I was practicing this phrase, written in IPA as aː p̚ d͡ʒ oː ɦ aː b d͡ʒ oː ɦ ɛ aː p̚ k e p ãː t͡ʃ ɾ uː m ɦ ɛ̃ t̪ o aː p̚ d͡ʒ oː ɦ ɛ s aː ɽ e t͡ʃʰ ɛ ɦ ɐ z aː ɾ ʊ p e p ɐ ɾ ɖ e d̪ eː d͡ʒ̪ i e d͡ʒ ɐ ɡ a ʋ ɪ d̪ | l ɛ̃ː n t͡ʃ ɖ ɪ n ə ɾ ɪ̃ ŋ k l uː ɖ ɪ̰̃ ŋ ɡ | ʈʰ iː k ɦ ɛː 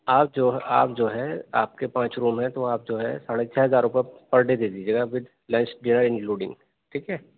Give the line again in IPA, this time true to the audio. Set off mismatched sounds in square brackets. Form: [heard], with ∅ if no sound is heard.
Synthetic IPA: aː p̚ d͡ʒ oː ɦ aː [p] d͡ʒ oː ɦ ɛ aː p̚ k e p ãː t͡ʃ ɾ uː m ɦ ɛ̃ t̪ o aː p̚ d͡ʒ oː ɦ ɛ s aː ɽ e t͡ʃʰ ɛ ɦ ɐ z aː ɾ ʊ p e p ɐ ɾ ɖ e d̪ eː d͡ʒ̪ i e d͡ʒ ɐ ɡ a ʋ ɪ d̪ | l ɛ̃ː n t͡ʃ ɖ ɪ n ə ɾ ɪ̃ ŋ k l uː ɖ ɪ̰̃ ŋ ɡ | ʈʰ iː k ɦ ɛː